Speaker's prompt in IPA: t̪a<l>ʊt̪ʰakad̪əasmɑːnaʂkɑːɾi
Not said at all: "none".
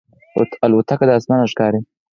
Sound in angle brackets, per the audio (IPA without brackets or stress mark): l